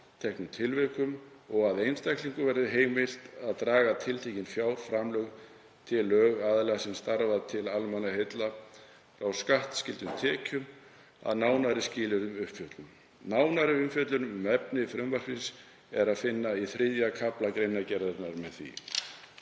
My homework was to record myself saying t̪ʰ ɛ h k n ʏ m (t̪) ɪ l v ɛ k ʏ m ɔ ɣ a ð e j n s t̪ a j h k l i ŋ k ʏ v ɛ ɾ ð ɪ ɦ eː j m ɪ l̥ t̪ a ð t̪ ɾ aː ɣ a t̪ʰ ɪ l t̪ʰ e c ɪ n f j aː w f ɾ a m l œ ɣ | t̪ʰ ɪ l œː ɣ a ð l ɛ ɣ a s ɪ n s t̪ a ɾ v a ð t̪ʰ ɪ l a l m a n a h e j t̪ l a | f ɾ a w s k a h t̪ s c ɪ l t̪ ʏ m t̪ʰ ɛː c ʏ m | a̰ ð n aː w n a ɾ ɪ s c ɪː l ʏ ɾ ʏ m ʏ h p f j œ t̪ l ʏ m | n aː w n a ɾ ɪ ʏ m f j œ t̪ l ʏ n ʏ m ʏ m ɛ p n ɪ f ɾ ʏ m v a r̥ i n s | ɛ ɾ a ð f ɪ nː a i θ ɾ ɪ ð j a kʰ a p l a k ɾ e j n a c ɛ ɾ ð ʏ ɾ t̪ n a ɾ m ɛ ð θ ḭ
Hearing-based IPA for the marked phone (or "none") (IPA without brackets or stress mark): t̪ʰ